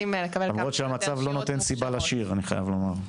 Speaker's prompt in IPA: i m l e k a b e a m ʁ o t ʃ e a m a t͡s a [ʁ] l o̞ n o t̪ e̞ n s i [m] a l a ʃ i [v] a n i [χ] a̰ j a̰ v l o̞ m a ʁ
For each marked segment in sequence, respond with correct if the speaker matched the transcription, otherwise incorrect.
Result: incorrect: v, incorrect: b, incorrect: ʁ, correct

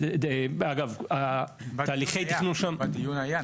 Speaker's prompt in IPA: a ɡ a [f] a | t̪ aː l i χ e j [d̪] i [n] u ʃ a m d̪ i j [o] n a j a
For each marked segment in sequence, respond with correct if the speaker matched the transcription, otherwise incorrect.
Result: incorrect: v, incorrect: t̪, correct, incorrect: u

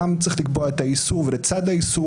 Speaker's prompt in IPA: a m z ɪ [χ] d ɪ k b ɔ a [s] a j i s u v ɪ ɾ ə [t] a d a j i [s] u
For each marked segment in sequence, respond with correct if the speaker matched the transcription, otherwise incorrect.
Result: correct, incorrect: t, incorrect: t͡s, correct

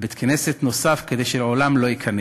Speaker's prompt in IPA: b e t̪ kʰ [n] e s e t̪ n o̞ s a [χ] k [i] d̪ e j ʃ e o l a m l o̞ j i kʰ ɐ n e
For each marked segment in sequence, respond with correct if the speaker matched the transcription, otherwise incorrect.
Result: correct, incorrect: f, incorrect: e

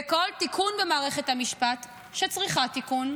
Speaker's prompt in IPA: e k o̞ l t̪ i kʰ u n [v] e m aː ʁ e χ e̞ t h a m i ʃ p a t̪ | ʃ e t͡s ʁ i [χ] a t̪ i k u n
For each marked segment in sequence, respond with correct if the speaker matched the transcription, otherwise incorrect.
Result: correct, correct

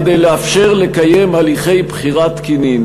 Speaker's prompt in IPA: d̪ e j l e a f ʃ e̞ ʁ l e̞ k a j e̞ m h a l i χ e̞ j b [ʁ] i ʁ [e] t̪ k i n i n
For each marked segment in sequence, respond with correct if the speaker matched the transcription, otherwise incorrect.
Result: incorrect: χ, incorrect: a

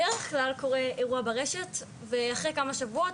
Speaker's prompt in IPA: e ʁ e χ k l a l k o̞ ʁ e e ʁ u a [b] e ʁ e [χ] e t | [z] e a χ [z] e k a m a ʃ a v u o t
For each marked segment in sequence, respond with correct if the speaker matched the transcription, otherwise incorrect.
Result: correct, incorrect: ʃ, incorrect: v, incorrect: ʁ

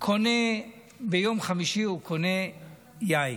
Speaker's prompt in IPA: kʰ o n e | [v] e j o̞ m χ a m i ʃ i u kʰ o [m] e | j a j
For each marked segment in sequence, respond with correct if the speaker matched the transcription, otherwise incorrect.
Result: incorrect: b, incorrect: n

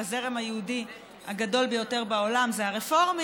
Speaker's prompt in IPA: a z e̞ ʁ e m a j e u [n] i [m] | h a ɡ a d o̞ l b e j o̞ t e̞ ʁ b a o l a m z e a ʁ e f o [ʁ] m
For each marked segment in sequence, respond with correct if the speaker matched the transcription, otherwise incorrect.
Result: incorrect: d, incorrect: none, correct

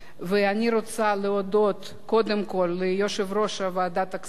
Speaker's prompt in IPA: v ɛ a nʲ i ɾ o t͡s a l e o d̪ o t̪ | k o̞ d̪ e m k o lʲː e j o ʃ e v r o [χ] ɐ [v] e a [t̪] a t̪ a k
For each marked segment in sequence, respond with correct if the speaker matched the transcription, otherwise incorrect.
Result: incorrect: ʃ, correct, incorrect: d̪

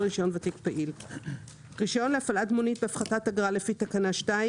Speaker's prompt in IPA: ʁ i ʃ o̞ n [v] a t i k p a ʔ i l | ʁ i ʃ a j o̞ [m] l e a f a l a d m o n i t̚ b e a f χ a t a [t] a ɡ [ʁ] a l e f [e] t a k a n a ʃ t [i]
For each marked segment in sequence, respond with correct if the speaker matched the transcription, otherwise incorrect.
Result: correct, incorrect: n, correct, correct, incorrect: i, incorrect: a

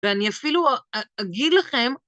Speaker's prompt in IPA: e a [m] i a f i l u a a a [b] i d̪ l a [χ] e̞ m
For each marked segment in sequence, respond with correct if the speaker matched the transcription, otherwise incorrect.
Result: incorrect: n, incorrect: ɡ, correct

